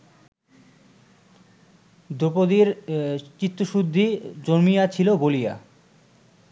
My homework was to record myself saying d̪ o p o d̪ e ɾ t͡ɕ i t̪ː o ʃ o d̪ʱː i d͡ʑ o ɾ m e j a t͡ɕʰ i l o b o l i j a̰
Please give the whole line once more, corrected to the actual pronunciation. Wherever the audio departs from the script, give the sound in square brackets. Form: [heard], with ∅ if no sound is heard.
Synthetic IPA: d̪ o p o d̪ [i] ɾ t͡ɕ i t̪ː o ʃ [u] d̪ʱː i d͡ʑ o ɾ m [i] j a t͡ɕʰ i l o b o l i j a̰